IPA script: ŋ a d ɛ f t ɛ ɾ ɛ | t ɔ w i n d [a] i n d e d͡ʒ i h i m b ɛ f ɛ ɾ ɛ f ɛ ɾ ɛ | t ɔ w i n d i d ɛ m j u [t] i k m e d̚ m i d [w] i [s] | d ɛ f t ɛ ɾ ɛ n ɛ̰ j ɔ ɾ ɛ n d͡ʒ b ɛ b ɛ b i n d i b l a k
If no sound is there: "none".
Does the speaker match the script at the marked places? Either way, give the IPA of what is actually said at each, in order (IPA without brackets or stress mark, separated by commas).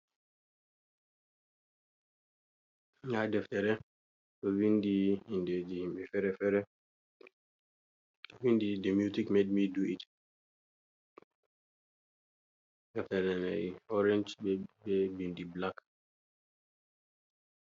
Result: i, t, u, t